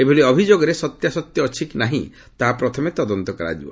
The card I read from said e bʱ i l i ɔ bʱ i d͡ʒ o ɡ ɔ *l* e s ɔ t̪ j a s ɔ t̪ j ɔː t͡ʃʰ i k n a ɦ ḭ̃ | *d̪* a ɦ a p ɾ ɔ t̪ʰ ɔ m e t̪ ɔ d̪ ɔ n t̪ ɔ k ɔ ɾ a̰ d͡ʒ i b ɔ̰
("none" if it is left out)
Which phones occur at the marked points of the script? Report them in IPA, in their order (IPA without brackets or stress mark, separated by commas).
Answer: ɾ, t̪